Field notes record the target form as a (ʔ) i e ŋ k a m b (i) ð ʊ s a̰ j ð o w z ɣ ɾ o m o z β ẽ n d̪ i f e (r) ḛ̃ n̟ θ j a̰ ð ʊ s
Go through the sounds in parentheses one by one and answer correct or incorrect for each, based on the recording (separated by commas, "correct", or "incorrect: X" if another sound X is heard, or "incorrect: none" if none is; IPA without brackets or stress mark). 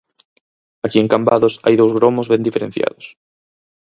incorrect: k, incorrect: a, incorrect: ɾ